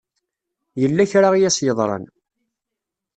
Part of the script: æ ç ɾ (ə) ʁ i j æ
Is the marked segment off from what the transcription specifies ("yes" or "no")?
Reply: yes